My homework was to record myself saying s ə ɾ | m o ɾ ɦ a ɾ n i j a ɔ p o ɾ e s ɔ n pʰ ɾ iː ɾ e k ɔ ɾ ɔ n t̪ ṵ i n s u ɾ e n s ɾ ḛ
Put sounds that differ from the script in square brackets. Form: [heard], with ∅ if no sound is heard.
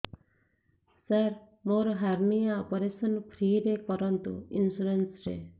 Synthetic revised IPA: s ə ɾ | m o ɾ ɦ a ɾ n i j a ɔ p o ɾ e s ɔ n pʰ ɾ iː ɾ e k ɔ ɾ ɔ n t̪ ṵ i n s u ɾ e n s ɾ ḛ